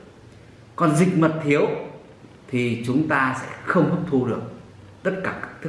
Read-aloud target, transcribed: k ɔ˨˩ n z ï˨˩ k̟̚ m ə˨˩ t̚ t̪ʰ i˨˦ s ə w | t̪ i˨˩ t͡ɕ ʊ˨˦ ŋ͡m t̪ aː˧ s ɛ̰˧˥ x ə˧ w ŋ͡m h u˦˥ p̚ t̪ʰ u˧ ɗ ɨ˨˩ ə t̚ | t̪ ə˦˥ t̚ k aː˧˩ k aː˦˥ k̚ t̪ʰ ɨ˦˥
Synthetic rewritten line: k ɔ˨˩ n z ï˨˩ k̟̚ m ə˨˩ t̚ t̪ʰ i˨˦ ə w | t̪ʰ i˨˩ t͡ɕ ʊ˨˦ ŋ͡m t̪ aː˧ s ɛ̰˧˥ x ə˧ w ŋ͡m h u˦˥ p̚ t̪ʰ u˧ ɗ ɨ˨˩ ə k̚ | t̪ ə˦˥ t̚ k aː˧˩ k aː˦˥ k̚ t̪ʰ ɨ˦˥